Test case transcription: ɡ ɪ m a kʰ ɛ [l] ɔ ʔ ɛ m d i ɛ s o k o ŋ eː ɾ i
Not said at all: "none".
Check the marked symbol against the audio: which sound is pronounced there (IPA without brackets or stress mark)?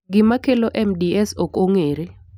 l